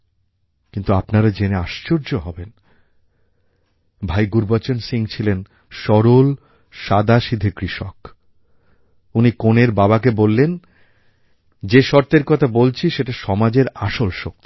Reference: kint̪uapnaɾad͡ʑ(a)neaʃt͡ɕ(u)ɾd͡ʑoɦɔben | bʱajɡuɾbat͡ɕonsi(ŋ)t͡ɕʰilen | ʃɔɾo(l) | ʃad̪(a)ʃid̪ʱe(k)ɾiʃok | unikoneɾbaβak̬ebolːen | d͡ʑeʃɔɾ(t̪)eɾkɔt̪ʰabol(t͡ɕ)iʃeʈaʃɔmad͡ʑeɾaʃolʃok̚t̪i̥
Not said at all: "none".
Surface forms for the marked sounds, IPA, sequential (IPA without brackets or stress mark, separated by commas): e, o, ŋ, l, a, k, t̪, t͡ɕʰ